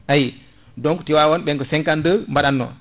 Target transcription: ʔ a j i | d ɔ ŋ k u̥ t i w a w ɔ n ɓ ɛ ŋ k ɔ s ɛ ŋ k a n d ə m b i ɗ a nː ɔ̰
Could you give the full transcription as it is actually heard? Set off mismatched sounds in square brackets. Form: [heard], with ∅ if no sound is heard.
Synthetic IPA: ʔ a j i | d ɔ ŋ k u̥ t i w a w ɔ n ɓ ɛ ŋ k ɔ s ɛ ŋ k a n d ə m b [a] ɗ a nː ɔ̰